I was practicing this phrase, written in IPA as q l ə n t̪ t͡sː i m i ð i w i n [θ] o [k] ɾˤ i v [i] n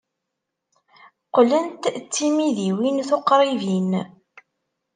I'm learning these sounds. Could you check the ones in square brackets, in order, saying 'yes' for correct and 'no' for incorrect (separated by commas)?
yes, no, yes